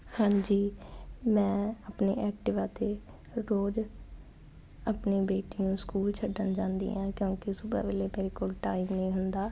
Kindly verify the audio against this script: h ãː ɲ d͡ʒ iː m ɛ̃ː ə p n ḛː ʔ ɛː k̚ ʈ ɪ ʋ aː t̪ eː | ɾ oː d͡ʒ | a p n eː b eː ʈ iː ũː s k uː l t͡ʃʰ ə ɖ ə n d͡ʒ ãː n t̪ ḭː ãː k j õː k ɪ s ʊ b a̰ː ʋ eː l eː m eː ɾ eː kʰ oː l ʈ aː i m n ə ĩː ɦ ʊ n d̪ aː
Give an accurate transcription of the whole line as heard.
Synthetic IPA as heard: h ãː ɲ d͡ʒ iː m ɛ̃ː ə p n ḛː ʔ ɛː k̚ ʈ ɪ ʋ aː t̪ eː | ɾ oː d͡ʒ | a p n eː b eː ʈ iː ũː s k uː l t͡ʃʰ ə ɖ ə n d͡ʒ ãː n d̪ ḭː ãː k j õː k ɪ s ʊ b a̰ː ʋ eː l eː m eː ɾ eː k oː l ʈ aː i m n ə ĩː ɦ ʊ n d̪ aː